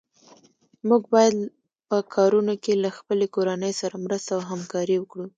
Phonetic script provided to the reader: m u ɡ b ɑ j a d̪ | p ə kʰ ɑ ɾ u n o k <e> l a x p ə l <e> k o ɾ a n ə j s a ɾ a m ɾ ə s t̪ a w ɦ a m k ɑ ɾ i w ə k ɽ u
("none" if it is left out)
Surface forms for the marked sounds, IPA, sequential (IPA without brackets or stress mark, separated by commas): e, e